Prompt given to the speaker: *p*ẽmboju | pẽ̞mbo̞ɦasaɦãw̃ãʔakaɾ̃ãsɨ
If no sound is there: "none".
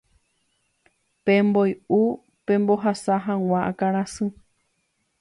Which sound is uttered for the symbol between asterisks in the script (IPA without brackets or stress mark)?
p